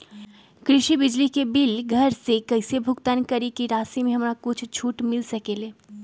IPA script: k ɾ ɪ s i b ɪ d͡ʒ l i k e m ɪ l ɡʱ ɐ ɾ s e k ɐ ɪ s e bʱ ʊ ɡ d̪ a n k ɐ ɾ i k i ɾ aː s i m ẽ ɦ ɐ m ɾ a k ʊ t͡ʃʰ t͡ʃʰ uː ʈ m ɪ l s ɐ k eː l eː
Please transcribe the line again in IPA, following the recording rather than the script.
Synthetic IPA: k ɾ ɪ ʃ i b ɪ d͡ʒ l i k e b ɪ l ɡʱ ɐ ɾ s e k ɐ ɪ s e bʱ ʊ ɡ t̪ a n k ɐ ɾ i k i ɾ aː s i m ẽ ɦ ɐ m ɾ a k ʊ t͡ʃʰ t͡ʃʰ uː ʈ m ɪ l s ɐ k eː l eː

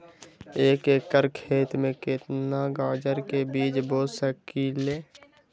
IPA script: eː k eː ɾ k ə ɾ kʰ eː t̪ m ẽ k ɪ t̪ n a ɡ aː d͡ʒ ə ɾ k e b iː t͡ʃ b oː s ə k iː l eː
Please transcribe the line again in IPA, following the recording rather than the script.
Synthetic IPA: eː k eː k ə ɾ kʰ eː t̪ m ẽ k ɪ t̪ n a ɡ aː d͡ʒ ə ɾ k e b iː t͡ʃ b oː s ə k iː l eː

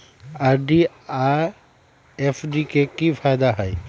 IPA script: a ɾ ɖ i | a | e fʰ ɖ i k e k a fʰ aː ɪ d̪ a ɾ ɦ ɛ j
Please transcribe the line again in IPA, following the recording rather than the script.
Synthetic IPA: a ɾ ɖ i | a | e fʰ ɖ i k e k i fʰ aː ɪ d̪ a ɦ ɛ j

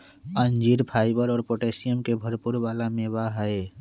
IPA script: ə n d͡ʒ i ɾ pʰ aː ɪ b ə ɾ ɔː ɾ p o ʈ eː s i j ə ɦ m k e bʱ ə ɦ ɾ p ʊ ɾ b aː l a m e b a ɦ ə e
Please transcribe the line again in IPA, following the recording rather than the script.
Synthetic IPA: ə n d͡ʒ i ɾ pʰ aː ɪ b ə ɾ ɔː ɾ p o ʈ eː s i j ə m k e bʱ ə ɾ p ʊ ɾ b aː l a m e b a ɦ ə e

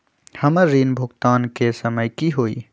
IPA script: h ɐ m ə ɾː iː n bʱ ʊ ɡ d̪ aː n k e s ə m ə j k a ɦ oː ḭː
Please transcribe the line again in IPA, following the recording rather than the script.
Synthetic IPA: h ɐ m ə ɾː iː n bʱ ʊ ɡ t̪ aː n k e s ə m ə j k i ɦ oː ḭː

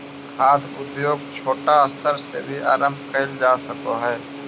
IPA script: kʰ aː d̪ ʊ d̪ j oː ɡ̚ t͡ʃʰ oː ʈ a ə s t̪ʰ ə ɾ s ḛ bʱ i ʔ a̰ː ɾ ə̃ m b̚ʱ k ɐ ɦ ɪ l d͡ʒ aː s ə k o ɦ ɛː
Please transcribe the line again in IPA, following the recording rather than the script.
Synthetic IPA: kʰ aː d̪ ʊ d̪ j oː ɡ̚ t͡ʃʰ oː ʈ a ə s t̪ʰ ə ɾ s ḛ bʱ i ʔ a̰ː ɾ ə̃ m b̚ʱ k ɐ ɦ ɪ l d͡ʒ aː s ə k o ɦ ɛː

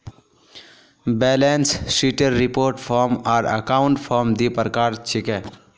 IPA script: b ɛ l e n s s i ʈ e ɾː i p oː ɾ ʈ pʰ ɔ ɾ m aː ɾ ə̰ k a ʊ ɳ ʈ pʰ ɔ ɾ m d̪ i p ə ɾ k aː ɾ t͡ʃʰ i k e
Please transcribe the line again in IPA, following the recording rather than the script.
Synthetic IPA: b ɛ l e n s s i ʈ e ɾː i p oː ɾ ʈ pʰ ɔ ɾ m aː ɾ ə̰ k a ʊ ɳ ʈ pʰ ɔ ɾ m d̪ i p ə ɾ k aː ɾ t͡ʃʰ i k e

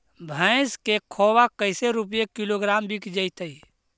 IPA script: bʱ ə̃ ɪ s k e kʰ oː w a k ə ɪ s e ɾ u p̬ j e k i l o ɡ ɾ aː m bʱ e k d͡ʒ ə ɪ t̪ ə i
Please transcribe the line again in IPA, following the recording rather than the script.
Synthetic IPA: bʱ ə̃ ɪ s k e kʰ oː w a k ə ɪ s e ɾ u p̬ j e k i l o ɡ ɾ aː m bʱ i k d͡ʒ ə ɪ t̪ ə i

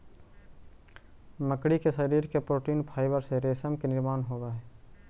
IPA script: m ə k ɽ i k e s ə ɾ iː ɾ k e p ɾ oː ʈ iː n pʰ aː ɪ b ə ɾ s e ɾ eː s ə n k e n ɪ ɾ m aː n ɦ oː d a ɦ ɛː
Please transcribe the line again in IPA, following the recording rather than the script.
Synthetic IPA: m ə k ɽ i k e s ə ɾ iː ɾ k e p ɾ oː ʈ iː n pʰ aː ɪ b ə ɾ s e ɾ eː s ə m k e n ɪ ɾ m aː n ɦ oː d a ɦ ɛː

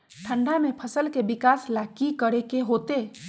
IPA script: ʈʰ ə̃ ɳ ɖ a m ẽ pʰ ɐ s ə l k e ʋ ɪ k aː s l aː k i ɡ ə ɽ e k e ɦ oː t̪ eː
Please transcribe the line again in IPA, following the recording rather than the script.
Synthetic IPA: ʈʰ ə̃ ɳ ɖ a m ẽ pʰ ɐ s ə l k e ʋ ɪ k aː s l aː k i k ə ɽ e k e ɦ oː t̪ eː

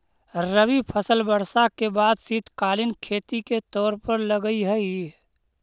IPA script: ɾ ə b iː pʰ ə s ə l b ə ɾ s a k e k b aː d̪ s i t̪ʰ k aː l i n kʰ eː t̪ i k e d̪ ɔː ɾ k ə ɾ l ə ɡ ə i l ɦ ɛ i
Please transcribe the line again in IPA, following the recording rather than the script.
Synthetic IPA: ɾ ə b i pʰ ə s ə l b ə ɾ s a k e b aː d̪ s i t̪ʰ k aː l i n kʰ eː t̪ i k e t̪ ɔː ɾ p ə ɾ l ə ɡ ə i ɦ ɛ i

